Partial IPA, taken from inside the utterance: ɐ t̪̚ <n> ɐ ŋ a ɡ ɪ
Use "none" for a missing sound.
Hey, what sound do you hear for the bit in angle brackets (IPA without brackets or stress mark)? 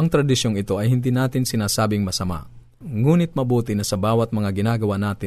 m